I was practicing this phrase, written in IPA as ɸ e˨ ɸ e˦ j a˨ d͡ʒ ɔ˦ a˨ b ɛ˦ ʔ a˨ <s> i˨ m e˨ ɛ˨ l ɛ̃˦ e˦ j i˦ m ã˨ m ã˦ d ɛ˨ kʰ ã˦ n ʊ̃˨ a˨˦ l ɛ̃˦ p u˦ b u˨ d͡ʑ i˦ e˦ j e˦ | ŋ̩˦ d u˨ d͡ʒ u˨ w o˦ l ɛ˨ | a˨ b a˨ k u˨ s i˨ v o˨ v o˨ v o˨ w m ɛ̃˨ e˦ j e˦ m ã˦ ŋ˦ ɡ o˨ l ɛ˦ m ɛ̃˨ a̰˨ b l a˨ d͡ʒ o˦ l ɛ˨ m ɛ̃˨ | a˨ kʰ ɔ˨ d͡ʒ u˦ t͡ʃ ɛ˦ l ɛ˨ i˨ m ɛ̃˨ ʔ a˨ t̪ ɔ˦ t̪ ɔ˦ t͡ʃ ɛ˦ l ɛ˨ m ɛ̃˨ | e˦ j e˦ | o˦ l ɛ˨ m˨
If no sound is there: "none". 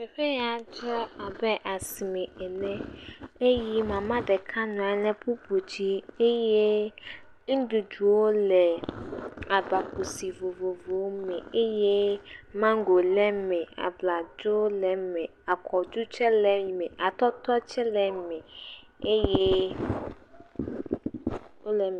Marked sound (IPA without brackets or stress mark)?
s